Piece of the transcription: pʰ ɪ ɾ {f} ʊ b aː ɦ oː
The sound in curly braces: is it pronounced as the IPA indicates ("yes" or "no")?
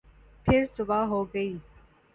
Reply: no